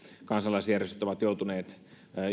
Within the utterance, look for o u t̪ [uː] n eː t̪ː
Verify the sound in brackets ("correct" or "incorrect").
incorrect